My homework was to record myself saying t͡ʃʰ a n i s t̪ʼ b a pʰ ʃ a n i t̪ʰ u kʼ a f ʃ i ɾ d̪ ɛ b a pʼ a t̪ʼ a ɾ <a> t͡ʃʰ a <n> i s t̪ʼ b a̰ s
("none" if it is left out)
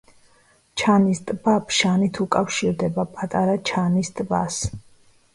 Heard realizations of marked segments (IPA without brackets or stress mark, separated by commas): a, n